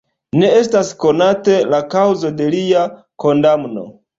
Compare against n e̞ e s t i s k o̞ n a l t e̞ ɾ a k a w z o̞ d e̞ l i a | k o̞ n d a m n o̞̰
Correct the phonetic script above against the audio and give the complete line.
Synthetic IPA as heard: n e̞ e s t a s k o̞ n a t e̞ l a k a w z o̞ d e̞ l i a | k o̞ n d a m n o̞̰